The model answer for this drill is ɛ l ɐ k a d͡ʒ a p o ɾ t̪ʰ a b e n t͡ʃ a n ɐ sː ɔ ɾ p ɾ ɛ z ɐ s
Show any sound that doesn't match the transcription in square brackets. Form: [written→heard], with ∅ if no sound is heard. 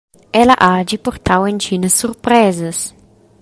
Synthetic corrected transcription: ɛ l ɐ [k→ʔ] a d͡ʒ [a→i] p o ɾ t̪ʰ a [b→w] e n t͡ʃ [a→i] n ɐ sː [ɔ→u] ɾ p ɾ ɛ z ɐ s